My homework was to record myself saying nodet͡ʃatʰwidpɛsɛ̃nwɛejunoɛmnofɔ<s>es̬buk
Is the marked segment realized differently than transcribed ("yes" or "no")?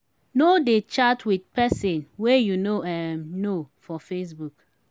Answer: yes